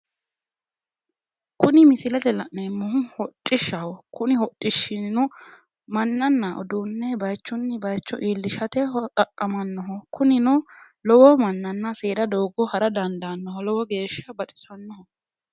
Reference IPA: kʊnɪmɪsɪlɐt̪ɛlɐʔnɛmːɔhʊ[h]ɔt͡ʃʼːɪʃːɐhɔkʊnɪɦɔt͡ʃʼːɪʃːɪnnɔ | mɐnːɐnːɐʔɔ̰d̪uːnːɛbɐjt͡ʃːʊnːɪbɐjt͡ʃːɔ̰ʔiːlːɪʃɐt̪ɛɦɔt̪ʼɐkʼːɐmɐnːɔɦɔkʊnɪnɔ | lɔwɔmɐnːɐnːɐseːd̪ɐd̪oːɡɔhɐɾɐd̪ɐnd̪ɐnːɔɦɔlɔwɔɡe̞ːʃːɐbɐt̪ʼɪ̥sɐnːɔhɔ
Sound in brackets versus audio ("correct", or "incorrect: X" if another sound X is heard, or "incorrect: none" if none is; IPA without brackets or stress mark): correct